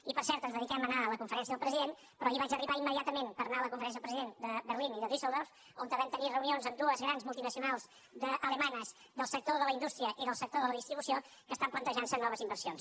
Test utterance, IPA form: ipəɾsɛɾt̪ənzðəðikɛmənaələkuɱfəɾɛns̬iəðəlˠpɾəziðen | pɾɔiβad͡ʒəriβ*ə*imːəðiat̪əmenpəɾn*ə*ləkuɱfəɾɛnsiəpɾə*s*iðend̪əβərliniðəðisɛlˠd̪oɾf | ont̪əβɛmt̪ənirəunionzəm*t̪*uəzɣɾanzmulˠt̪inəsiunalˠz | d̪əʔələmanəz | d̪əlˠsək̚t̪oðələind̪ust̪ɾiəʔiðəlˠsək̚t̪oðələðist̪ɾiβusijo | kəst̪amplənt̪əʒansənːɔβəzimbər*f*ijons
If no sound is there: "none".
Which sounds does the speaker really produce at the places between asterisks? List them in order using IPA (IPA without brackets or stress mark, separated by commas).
a, a, z, d̪, s